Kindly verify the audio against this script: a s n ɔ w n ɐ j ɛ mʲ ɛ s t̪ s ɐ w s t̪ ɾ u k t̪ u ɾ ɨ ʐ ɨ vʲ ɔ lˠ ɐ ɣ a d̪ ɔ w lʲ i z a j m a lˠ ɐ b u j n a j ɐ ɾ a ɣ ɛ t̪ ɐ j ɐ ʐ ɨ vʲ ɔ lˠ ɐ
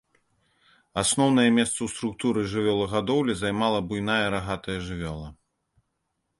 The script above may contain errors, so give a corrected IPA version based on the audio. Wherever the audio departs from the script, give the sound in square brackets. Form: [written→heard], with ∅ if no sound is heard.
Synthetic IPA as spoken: a s n ɔ w n ɐ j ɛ mʲ ɛ s t̪ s ɐ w s t̪ ɾ u k t̪ u ɾ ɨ ʐ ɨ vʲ ɔ lˠ ɐ ɣ a d̪ ɔ w lʲ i z a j m a lˠ ɐ b u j n a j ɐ ɾ a ɣ [ɛ→a] t̪ ɐ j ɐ ʐ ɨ vʲ ɔ lˠ ɐ